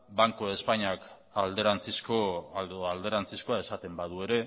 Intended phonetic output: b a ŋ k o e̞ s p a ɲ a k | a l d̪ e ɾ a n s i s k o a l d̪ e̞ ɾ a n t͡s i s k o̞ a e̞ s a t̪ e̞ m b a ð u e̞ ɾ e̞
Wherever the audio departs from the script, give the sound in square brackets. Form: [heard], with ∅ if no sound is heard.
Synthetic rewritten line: b a ŋ k o e̞ s p a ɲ a k | a l d̪ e ɾ a n [t͡s] i s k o a l d̪ e̞ ɾ a n t͡s i s k o̞ a e̞ s a t̪ e̞ m b a ð u e̞ ɾ e̞